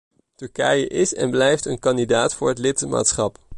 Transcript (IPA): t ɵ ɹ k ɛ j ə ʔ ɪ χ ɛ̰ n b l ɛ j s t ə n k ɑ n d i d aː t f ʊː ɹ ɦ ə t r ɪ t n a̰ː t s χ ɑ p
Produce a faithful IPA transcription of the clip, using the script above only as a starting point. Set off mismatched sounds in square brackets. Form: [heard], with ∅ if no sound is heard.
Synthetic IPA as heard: t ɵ ɹ k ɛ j ə ʔ ɪ [s] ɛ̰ n b l ɛ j [f] t ə n k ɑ n d i d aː t f ʊː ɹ ɦ ə t [l] ɪ t [m] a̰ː t s χ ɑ p